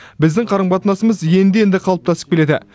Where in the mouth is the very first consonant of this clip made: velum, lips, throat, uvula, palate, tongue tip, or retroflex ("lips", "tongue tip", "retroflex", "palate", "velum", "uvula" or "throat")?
lips